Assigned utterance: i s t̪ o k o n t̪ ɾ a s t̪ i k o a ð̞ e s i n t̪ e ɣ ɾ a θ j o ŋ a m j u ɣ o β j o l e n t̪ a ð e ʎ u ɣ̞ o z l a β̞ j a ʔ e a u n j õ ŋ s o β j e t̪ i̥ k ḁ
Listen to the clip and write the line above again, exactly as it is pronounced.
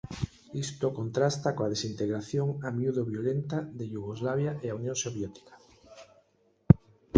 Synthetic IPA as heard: i s t̪ o k o n t̪ ɾ a s t̪ a k o a ð̞ e s i n t̪ e ɣ ɾ a θ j o ŋ a m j u ð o β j o l e n t̪ a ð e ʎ u ɣ̞ o z l a β̞ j a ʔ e a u n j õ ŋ s o β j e t̪ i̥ k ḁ